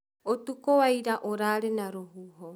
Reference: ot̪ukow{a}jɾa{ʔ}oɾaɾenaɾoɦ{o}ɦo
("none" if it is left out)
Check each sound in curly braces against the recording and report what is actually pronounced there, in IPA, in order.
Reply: a, ʔ, u

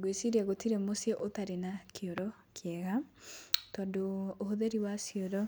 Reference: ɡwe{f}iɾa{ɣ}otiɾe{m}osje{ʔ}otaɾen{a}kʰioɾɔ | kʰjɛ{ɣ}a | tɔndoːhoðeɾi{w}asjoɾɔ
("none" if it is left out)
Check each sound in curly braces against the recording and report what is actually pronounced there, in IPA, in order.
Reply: s, ɣ, m, ʔ, a, ɣ, w

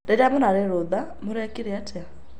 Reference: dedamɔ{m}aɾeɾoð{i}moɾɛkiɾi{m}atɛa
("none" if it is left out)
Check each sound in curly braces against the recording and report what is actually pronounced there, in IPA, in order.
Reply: n, a, none

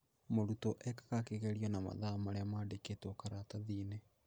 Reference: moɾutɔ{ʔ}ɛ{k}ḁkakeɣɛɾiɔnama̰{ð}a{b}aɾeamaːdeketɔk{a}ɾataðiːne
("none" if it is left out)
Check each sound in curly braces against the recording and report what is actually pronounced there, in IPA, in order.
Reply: ʔ, k, ð, m, a

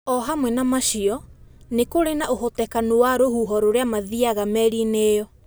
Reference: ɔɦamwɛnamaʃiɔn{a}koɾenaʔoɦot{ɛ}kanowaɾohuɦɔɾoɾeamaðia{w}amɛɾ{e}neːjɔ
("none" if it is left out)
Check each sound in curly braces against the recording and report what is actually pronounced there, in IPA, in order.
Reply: e, ɛ, ɣ, i

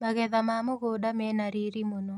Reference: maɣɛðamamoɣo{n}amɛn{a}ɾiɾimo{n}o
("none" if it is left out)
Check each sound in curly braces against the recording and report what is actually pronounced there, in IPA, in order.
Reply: d, a, n

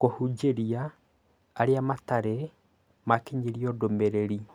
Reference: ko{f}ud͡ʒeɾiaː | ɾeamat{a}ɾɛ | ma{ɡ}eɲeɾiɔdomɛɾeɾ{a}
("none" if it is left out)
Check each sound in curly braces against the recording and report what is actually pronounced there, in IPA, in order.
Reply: h, a, k, i

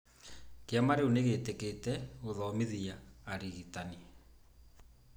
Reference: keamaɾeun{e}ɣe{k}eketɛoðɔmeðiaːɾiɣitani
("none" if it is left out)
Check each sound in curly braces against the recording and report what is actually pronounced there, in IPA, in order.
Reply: e, t

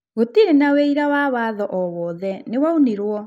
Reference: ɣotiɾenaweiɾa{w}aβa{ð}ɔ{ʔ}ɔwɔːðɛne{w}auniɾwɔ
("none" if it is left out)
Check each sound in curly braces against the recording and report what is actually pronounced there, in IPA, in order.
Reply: w, ð, ʔ, w

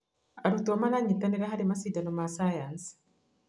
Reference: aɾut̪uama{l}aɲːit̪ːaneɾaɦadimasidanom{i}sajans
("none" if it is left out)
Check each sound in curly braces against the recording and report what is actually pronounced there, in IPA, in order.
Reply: l, a

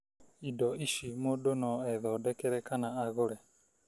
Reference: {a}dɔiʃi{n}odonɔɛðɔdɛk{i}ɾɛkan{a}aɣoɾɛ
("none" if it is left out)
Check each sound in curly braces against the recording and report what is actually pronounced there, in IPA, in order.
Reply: i, m, ɛ, a

